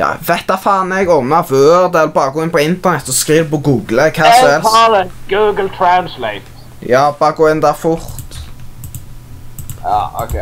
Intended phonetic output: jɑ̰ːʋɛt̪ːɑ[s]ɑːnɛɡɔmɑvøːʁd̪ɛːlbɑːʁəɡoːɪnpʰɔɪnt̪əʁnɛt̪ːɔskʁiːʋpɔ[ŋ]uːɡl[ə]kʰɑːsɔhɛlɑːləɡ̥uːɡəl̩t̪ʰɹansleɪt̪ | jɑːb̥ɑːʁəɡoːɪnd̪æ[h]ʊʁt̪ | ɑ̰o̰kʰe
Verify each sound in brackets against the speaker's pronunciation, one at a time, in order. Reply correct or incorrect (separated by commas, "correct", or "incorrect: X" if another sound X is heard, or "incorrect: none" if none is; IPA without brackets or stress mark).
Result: incorrect: f, incorrect: ɡ, correct, incorrect: f